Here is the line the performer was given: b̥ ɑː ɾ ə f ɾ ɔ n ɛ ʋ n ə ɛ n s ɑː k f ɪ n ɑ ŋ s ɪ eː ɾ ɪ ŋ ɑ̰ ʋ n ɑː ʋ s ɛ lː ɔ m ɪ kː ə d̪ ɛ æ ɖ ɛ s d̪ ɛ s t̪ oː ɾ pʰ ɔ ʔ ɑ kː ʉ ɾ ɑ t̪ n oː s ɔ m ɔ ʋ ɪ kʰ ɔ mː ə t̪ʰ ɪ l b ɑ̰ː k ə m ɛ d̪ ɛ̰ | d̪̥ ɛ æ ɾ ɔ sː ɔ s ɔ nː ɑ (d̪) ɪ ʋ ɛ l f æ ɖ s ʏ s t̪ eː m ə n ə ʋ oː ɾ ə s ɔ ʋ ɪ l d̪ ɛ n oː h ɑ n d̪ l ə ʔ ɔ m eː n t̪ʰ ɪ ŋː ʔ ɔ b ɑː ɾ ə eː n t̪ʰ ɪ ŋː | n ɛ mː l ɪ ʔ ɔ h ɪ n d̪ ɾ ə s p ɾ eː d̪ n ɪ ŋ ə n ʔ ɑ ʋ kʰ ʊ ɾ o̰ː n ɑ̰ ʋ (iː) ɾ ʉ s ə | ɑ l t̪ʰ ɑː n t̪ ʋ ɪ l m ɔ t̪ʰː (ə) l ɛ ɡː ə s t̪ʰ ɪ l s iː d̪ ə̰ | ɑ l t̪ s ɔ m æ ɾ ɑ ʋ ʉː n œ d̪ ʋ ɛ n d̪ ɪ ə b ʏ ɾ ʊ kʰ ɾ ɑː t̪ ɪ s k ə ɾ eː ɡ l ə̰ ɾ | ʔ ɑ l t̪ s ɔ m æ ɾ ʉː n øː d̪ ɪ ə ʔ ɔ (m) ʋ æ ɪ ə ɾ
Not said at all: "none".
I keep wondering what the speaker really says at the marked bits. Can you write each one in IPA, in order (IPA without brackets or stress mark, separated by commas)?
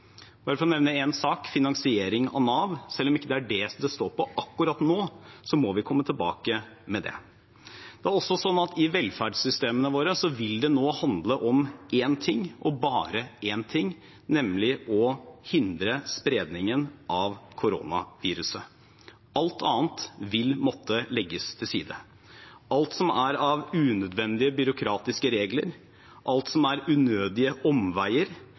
t̪, iː, ə, m